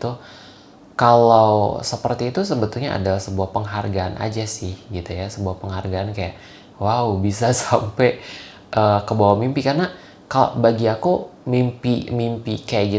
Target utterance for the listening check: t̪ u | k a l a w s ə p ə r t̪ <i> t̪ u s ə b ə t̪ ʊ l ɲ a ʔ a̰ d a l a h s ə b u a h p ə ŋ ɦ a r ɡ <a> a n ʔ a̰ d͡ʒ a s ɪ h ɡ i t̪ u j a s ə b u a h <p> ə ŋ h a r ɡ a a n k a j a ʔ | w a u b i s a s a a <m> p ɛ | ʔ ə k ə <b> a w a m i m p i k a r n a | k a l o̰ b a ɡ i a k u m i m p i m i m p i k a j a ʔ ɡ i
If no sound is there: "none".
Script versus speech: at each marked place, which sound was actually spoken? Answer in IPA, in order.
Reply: iː, a, p, m, b

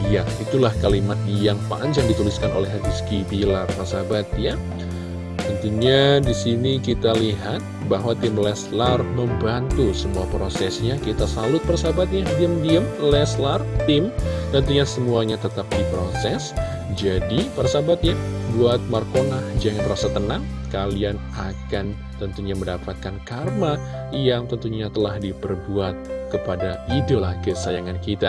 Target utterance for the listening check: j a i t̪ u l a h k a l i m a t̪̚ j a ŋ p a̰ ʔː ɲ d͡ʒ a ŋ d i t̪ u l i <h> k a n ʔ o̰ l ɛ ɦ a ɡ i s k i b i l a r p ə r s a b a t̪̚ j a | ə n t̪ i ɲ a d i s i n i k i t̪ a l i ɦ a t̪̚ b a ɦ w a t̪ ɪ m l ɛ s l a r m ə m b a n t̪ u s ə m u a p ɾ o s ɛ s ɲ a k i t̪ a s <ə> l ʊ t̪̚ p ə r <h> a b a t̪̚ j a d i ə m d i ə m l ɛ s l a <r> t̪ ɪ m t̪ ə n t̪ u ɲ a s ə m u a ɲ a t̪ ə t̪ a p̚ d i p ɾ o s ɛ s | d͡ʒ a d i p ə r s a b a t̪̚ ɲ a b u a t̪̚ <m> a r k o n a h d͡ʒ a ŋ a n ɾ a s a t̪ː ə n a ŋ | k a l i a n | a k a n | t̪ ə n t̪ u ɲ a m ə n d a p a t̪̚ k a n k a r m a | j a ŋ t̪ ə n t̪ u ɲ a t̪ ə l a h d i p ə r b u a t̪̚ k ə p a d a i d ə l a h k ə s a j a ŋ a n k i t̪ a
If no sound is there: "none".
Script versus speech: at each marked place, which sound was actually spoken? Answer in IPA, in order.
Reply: s, a, s, r, m

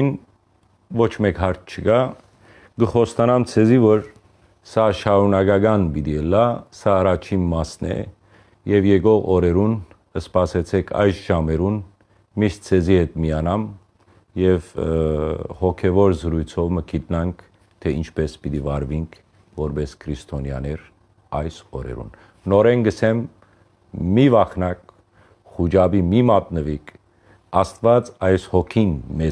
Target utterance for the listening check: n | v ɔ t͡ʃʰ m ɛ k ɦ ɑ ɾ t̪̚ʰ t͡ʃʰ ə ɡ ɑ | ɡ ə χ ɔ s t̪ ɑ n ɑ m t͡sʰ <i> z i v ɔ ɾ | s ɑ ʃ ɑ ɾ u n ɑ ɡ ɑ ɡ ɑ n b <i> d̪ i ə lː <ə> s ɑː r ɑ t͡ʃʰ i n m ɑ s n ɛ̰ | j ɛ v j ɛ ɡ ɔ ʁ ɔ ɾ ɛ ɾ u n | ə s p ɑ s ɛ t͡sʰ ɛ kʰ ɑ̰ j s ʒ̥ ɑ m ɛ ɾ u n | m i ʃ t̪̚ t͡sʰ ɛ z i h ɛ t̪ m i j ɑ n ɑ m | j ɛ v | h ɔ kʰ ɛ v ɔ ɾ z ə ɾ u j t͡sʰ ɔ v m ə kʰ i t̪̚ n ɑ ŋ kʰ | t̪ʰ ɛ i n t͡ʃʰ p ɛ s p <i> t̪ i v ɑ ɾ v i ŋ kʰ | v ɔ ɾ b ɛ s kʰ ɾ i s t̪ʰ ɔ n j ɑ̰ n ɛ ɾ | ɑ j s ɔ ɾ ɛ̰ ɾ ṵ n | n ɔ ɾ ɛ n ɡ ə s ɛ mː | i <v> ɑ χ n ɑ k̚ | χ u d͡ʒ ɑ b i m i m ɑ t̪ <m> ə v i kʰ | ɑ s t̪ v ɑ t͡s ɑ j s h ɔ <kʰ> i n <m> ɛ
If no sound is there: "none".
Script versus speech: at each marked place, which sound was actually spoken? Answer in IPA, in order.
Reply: ɛ, i, ɑ, i, v, n, kʰ, m

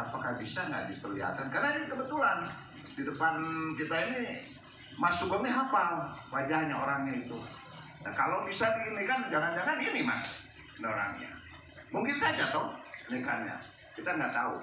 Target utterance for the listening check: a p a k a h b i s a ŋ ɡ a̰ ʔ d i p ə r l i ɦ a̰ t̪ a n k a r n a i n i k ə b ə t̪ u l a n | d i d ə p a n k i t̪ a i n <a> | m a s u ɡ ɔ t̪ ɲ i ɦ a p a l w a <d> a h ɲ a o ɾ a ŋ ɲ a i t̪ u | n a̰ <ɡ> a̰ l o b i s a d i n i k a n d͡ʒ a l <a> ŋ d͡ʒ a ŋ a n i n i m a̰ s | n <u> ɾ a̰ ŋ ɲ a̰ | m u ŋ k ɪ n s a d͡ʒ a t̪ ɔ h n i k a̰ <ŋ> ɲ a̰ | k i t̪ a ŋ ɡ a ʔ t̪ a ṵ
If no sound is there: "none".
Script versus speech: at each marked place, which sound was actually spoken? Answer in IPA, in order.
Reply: i, d͡ʒ, k, a, o, n

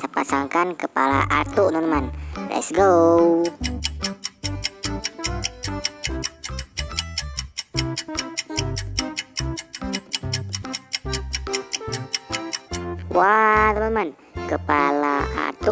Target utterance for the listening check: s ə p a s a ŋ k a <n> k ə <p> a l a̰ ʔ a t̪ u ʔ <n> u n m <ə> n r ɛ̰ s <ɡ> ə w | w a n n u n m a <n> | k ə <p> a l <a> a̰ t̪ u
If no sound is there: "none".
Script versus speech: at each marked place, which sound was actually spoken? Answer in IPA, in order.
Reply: n, p, n, a, ɡ, n, p, a

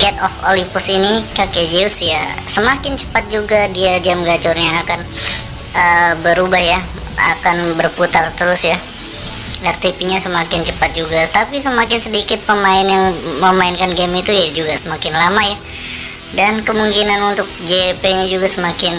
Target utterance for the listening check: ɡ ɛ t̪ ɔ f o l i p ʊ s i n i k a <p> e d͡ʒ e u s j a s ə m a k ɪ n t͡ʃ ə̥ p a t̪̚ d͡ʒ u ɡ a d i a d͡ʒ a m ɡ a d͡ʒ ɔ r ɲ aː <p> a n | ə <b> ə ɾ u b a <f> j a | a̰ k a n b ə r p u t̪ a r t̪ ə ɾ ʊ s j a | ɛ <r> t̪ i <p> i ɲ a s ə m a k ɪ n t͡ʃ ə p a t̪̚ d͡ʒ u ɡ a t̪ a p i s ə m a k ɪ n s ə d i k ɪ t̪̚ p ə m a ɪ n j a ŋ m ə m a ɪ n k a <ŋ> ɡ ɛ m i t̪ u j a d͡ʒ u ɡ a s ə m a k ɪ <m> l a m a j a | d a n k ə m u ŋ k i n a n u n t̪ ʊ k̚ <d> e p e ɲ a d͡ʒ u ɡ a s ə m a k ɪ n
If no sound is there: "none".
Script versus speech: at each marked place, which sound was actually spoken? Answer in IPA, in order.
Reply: k, k, b, h, r, p, n, n, d͡ʒ

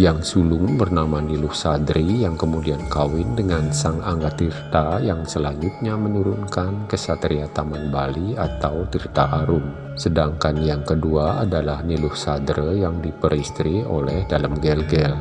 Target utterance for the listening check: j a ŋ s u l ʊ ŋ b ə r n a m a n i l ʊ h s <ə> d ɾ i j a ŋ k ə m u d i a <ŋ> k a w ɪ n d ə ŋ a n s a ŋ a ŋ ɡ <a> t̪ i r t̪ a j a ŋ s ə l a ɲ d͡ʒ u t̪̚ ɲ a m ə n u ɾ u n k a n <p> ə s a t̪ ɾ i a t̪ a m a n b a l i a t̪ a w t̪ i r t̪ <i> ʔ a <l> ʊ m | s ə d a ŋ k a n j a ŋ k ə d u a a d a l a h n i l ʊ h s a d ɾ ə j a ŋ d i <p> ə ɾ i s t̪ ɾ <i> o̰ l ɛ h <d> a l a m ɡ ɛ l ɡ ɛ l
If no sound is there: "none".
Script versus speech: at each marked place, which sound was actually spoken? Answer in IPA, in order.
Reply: a, n, a, k, a, ɾ, p, i, d

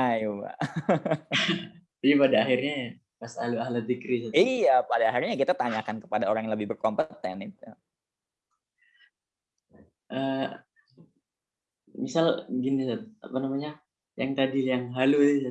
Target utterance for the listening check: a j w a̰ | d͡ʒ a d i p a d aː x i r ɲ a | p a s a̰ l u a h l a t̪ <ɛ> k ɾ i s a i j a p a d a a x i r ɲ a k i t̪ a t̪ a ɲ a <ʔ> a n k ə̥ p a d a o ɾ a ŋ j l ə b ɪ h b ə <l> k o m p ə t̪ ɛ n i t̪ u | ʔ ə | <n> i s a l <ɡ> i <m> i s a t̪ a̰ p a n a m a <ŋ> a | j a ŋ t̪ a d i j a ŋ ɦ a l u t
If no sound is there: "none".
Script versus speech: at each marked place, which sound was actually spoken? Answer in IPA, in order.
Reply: i, k, r, m, ɡ, n, ɲ

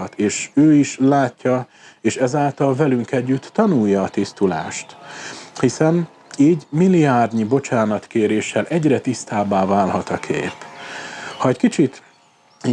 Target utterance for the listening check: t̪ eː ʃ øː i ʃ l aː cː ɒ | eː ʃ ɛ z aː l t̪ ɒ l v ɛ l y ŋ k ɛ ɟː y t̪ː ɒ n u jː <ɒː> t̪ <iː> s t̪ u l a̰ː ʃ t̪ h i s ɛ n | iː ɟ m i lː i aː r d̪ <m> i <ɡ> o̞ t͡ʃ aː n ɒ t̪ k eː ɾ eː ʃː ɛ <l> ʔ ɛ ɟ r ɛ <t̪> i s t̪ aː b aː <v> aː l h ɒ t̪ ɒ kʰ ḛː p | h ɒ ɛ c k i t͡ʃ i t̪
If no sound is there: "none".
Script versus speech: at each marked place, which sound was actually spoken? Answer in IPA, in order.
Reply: ɒː, i, ɲ, b, l, t̪, v

